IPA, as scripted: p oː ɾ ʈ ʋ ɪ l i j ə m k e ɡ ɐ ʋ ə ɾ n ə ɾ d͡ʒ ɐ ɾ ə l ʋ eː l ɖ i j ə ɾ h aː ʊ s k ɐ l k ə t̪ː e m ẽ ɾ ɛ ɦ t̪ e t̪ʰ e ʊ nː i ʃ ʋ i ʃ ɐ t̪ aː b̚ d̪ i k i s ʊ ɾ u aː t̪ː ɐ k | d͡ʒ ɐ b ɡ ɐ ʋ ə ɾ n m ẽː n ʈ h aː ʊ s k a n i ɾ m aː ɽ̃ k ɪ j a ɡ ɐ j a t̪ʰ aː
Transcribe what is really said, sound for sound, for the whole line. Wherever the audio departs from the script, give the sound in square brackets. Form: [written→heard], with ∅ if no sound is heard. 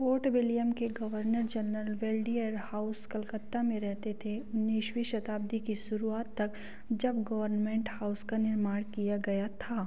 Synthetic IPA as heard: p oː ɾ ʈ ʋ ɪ l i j ə m k e ɡ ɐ ʋ ə ɾ n ə ɾ d͡ʒ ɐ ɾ ə l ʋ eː l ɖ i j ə ɾ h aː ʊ s k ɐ l k ə t̪ː [e→a] m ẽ ɾ ɛ ɦ t̪ e t̪ʰ e ʊ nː i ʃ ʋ i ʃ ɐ t̪ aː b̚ d̪ i k i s ʊ ɾ u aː t̪ː ɐ k | d͡ʒ ɐ b ɡ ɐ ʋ ə ɾ n m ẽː [n→ɳ] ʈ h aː ʊ s k a n [i→ɪ] ɾ m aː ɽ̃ k [ɪ→i] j a ɡ ɐ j a t̪ʰ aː